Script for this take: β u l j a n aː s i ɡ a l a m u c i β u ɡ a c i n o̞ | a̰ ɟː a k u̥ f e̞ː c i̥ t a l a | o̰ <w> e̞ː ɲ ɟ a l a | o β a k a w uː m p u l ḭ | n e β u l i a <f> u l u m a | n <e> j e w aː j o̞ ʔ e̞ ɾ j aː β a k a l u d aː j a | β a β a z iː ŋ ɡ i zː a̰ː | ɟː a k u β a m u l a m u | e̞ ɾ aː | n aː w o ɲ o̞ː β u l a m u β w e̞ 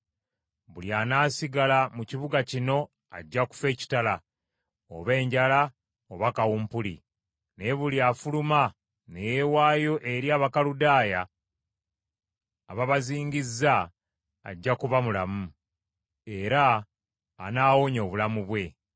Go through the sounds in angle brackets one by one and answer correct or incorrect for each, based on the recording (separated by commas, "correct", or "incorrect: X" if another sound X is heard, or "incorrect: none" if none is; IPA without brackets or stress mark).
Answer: incorrect: β, correct, correct